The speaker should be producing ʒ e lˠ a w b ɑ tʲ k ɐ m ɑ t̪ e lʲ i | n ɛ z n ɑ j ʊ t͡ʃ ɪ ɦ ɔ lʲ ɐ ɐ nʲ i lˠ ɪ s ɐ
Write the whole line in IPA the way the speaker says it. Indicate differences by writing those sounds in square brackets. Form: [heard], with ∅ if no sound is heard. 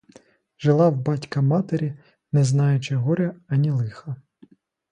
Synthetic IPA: ʒ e lˠ [ɑ] w b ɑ tʲ k ɐ m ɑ t̪ e [ɾʲ] i | n ɛ z n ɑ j ʊ t͡ʃ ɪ ɦ ɔ [ɾʲ] ɐ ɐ nʲ i lˠ ɪ [x] ɐ